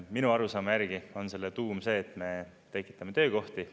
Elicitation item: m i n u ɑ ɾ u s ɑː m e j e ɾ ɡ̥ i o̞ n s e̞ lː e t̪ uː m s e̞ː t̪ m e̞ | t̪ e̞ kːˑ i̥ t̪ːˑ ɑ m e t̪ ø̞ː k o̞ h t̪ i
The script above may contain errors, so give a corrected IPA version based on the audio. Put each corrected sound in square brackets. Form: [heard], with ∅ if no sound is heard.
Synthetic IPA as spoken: m i n u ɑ ɾ u s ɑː m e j [æ] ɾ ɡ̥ i o̞ n s e̞ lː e t̪ uː m s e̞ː t̪ m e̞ | t̪ e̞ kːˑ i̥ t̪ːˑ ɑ m e t̪ ø̞ː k o̞ h t̪ i